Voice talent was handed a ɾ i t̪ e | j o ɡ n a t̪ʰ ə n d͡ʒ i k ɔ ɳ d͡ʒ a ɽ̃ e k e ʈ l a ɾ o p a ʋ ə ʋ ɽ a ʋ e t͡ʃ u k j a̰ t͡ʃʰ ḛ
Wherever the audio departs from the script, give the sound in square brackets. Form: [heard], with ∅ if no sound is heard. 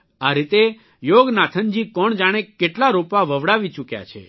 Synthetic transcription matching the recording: a ɾ i t̪ e | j o ɡ n a t̪ʰ ə n d͡ʒ i k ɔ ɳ d͡ʒ a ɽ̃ e k e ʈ l a ɾ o p a ʋ ə ʋ ɽ a ʋ [i] t͡ʃ u k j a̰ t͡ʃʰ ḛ

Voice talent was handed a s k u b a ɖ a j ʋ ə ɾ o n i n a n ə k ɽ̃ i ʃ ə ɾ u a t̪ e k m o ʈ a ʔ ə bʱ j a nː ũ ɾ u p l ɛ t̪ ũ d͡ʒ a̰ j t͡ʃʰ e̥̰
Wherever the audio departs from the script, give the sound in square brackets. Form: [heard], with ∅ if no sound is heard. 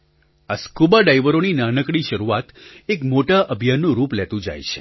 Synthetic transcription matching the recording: a s k u b a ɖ a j ʋ ə ɾ o n i n a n ə k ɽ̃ i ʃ ə ɾ u a t̪ e k m o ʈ a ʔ ə bʱ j a nː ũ ɾ u p l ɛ t̪ ũ d͡ʒ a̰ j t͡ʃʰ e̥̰

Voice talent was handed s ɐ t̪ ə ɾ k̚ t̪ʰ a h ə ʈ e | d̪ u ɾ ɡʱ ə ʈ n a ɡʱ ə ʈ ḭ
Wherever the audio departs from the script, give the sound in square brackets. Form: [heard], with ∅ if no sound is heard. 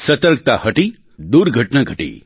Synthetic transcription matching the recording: s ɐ t̪ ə ɾ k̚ [t̪] a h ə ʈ [i] | d̪ u ɾ ɡʱ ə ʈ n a ɡʱ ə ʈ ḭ

